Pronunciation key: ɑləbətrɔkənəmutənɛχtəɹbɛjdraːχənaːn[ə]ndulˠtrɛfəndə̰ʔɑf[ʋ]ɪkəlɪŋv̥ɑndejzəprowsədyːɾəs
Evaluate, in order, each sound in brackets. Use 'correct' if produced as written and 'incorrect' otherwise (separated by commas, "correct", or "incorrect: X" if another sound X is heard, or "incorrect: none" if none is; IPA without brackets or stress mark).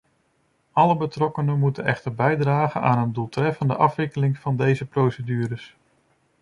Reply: correct, correct